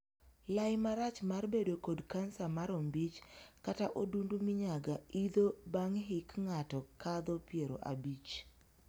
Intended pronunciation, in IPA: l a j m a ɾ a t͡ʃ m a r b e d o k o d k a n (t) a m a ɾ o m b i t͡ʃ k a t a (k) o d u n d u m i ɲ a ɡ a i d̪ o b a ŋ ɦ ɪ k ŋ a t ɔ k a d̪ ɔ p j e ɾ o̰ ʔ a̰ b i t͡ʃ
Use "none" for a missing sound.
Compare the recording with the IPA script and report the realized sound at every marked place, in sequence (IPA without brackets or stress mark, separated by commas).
s, ʔ